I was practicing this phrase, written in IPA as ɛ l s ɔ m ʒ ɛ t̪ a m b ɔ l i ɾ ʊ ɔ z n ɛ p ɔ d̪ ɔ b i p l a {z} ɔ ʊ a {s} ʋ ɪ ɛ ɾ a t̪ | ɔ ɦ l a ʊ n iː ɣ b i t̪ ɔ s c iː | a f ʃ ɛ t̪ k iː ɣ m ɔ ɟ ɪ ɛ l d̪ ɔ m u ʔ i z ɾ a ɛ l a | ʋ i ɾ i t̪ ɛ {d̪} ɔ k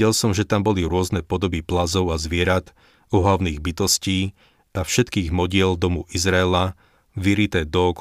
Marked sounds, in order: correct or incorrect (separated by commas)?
correct, incorrect, correct